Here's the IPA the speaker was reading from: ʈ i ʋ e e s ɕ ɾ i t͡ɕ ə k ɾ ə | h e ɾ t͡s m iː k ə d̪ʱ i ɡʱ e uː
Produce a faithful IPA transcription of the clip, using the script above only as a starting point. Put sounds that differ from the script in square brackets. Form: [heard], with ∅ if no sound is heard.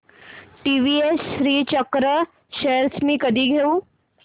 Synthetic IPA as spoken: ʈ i ʋ [i] e s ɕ ɾ [iː] t͡ɕ ə k ɾ ə | [ɕ] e ɾ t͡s m iː k ə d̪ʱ [iː] ɡʱ e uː